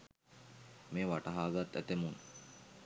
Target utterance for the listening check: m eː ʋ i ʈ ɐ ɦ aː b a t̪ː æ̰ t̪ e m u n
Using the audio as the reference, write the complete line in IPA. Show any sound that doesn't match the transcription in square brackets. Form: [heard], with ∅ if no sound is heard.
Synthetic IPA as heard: m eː ʋ [a] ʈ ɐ ɦ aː [ɡ] a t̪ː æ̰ t̪ e m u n